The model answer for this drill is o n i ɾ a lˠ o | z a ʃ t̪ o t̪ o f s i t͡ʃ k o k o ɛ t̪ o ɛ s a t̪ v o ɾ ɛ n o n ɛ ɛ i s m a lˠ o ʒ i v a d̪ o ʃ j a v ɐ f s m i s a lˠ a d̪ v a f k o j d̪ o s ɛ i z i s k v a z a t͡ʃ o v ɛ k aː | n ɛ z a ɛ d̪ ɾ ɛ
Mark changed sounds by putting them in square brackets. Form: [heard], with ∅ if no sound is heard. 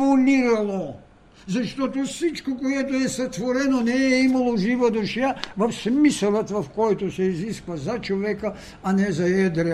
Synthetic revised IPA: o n i ɾ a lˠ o | z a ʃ t̪ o t̪ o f s i t͡ʃ k o k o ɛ t̪ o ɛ s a t̪ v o ɾ ɛ n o n ɛ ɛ i [∅] m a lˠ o ʒ i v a d̪ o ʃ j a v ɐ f s m i s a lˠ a [t̪] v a f k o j [t̪] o s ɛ i z i s k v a z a t͡ʃ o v ɛ k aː | n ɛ z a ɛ d̪ ɾ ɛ